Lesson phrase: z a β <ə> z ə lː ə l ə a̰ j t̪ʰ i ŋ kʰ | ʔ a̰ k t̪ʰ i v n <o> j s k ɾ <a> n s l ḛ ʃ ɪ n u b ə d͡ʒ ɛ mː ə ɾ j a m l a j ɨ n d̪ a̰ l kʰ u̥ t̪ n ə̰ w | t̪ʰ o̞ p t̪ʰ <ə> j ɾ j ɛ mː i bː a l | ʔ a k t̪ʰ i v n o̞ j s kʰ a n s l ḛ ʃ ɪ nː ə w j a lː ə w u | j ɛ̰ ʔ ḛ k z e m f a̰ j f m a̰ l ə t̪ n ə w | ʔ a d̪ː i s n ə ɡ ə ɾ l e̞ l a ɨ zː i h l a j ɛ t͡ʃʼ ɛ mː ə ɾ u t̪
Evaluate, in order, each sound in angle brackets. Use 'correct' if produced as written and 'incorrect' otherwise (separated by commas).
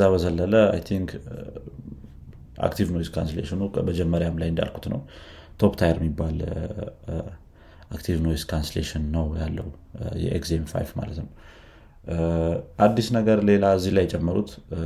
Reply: correct, correct, correct, incorrect